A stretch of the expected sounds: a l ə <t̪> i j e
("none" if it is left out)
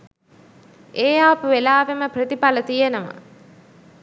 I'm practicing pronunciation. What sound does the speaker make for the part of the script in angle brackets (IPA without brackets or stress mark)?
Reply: t̪